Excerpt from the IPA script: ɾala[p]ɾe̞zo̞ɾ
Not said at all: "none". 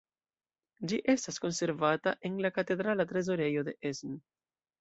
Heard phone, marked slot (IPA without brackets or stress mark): t